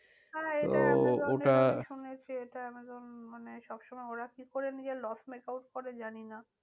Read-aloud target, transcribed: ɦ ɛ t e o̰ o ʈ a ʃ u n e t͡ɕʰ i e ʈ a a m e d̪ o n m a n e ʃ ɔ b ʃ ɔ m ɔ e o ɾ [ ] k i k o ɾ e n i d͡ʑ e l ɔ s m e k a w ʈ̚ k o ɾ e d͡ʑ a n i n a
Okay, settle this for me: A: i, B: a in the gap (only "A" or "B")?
B